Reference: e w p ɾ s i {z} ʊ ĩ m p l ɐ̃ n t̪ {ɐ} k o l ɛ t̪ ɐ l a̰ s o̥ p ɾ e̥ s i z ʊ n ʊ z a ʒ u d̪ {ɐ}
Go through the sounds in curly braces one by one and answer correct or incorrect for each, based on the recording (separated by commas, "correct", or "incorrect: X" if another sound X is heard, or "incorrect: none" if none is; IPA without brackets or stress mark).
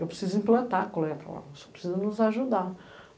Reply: correct, incorrect: a, incorrect: a